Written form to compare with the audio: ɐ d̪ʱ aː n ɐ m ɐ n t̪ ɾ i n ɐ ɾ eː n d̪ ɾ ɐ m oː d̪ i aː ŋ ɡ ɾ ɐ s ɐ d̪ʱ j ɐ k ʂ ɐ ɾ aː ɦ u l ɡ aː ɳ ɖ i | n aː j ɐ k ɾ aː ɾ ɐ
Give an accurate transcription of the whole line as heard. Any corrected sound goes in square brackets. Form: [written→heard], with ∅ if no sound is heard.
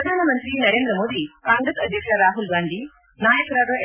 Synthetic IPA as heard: ɐ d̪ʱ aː n ɐ m ɐ n t̪ ɾ i n ɐ ɾ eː n d̪ ɾ ɐ m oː d̪ i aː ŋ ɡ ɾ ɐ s ɐ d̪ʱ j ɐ k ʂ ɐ ɾ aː ɦ u l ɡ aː ɳ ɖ i | n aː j ɐ k ɾ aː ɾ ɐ